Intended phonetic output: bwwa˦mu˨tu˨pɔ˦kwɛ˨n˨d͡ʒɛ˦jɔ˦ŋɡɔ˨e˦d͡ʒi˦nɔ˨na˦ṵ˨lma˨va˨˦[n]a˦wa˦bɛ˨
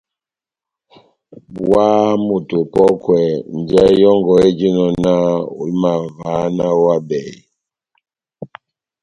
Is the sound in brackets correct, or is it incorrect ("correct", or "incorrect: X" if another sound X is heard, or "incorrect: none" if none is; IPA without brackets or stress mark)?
correct